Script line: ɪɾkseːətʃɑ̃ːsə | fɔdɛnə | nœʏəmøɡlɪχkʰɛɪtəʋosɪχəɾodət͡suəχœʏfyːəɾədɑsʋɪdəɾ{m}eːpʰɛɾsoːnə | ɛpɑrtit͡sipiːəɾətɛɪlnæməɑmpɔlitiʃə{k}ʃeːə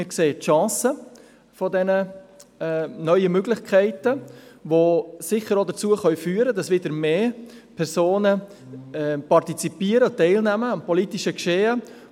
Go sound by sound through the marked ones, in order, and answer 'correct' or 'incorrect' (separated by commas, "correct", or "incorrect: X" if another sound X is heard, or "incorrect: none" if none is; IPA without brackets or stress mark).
correct, correct